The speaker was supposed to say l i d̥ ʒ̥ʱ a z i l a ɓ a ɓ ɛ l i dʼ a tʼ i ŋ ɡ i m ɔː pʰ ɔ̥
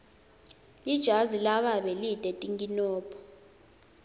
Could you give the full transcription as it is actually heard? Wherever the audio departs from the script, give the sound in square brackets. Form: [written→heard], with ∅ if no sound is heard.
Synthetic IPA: l i d̥ ʒ̥ʱ a z i l a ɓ a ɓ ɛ l i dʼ [a→ɛ] tʼ i ŋ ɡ i [m→n] ɔː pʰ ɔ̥